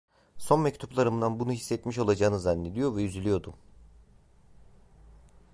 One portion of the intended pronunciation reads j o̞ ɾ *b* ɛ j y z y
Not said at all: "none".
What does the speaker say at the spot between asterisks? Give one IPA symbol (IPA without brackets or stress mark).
v